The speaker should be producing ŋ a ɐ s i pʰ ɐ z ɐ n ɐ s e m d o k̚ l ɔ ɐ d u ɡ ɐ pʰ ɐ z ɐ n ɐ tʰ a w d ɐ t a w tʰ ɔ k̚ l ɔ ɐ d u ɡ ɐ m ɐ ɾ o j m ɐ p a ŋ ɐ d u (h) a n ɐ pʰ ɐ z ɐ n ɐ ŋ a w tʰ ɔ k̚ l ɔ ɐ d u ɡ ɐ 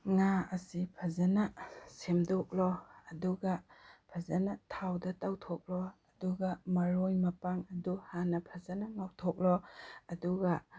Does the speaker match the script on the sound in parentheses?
yes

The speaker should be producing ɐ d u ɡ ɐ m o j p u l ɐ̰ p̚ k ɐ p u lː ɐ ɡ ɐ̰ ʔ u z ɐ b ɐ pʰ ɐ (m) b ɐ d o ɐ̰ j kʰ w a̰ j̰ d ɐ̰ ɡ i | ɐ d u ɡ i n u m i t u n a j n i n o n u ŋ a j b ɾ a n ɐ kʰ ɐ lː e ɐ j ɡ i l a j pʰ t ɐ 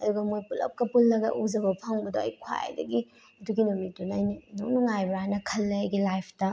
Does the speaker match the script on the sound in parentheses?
no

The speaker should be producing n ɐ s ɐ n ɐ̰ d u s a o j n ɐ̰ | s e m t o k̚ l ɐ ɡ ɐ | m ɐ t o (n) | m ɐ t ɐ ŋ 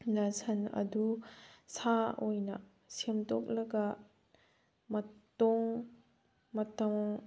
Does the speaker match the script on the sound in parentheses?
no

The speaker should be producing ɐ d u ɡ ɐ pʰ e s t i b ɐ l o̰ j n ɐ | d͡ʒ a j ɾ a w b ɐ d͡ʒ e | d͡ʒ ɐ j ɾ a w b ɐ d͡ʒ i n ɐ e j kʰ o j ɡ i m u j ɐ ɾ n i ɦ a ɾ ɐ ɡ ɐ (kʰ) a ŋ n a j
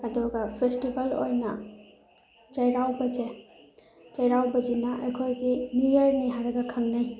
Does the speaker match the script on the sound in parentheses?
yes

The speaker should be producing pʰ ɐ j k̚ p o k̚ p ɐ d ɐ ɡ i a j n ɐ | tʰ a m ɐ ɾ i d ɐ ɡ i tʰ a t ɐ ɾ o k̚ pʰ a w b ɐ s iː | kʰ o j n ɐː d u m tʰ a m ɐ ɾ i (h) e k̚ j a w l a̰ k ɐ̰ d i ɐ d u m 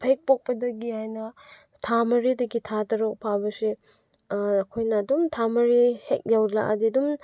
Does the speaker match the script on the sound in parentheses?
yes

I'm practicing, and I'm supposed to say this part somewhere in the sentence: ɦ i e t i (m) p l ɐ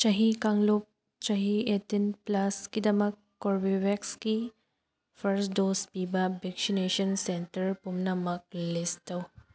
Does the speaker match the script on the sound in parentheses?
no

